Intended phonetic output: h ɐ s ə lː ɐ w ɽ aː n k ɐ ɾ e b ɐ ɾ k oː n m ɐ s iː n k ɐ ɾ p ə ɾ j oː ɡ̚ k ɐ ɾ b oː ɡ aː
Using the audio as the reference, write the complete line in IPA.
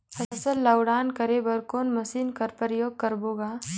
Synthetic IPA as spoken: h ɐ s ə lː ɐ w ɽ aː n k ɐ ɾ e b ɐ ɾ k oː n m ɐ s iː n k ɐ ɾ p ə ɾ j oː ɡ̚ k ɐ ɾ b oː ɡ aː